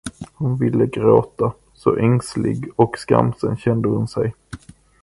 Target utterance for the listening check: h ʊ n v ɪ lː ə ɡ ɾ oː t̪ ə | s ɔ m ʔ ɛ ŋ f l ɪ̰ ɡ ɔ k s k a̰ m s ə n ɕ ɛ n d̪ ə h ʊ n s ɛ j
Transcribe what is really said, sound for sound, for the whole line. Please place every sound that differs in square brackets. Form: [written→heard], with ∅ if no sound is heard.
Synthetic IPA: h ʊ n v ɪ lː ə ɡ ɾ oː t̪ [ə→a] | s ɔ [m→∅] ʔ ɛ ŋ [f→s] l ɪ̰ ɡ ɔ k s k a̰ m s ə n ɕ ɛ n d̪ ə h ʊ n s ɛ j